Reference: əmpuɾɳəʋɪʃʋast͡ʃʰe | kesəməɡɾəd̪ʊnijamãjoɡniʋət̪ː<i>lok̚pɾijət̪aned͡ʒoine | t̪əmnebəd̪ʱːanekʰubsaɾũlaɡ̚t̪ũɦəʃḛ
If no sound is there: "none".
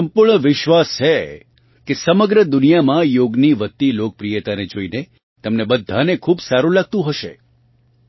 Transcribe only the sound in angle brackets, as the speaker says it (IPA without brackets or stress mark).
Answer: i